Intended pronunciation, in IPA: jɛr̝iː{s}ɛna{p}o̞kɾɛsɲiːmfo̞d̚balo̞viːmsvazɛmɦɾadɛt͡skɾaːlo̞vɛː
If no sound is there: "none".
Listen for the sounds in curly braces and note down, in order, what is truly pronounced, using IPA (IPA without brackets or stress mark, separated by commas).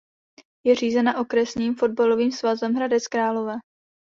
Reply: z, ʔ